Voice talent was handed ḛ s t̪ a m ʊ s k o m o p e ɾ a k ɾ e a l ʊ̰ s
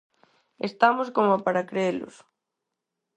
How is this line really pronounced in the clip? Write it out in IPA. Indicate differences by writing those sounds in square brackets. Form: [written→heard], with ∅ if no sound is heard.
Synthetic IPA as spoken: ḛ s t̪ a m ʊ s k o m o p [e→a] ɾ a k ɾ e [a→e] l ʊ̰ s